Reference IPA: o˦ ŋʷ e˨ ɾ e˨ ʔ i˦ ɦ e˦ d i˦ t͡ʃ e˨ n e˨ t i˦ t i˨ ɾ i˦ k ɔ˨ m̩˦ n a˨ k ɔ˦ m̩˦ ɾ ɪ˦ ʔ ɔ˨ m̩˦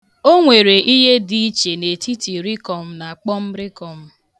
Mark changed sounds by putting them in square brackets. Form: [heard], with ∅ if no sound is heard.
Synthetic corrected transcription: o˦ ŋʷ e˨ ɾ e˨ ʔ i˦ ɦ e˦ d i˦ t͡ʃ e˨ n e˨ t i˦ t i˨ ɾ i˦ k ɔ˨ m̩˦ n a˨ [k͡p] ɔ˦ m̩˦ ɾ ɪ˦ [k] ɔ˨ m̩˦